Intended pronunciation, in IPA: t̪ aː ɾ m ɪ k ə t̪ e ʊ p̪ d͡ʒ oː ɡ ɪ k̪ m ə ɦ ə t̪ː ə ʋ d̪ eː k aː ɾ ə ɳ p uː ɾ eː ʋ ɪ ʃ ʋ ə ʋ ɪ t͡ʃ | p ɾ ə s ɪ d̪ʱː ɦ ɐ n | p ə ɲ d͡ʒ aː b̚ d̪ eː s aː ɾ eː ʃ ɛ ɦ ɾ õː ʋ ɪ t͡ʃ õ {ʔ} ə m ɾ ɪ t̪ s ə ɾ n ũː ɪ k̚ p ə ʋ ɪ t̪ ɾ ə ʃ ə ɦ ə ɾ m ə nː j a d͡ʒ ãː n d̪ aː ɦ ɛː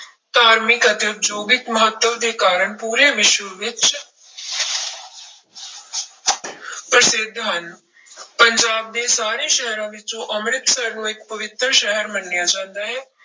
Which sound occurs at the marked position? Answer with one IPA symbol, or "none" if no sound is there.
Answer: ʔ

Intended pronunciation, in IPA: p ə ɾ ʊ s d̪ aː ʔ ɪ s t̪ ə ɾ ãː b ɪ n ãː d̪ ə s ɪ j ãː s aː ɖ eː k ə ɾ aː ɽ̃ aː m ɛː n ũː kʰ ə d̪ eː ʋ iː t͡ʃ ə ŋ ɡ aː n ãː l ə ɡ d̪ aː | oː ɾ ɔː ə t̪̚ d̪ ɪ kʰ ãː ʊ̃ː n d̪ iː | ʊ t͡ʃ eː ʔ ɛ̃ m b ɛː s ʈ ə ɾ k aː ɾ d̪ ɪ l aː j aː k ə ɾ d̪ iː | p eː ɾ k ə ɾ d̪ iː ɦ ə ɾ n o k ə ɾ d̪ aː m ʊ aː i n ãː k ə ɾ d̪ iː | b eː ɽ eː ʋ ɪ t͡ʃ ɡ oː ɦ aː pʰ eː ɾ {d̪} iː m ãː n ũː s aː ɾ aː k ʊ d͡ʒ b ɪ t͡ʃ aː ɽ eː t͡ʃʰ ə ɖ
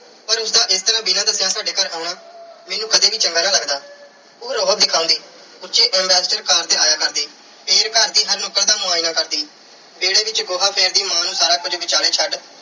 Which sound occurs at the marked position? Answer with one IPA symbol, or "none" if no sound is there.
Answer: d̪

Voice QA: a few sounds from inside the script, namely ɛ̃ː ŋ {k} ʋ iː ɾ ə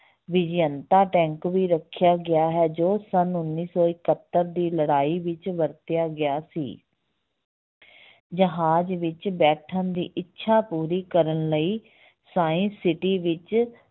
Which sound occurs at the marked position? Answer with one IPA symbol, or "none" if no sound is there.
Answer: k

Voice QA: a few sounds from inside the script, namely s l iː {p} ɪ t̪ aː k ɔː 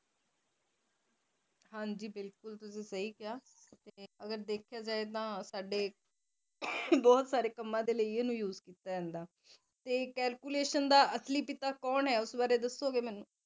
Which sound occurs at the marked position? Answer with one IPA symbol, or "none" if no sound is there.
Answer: p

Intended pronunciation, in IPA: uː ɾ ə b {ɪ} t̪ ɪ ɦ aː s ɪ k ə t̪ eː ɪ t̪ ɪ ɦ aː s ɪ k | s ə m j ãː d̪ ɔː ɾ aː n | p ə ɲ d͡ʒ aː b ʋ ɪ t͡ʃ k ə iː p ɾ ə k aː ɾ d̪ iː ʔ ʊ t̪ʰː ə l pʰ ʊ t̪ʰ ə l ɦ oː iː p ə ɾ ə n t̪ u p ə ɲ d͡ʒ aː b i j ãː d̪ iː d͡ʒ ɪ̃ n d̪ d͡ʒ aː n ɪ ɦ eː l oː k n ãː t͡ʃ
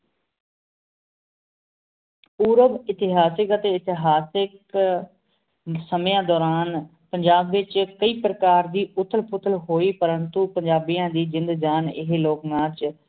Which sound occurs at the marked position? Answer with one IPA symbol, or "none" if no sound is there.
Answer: ɪ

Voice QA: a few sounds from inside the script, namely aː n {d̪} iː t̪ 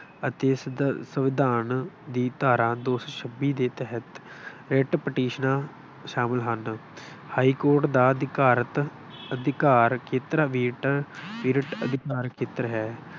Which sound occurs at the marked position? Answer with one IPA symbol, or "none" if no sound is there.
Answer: d̪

